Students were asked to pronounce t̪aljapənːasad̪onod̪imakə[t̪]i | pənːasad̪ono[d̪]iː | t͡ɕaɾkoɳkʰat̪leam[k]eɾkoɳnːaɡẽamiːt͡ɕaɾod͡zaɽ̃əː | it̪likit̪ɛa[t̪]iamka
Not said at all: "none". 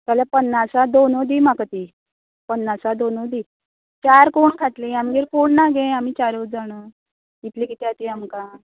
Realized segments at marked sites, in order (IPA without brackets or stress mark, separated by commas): t̪, d̪, ɡ, t̪